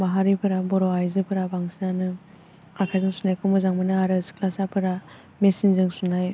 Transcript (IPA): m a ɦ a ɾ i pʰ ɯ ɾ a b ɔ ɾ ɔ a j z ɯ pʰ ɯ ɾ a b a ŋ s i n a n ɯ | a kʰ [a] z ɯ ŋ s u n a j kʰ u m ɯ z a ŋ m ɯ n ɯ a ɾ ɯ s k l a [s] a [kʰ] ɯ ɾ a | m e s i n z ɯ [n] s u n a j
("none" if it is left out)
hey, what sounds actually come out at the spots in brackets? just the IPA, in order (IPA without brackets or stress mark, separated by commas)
a, s, pʰ, ŋ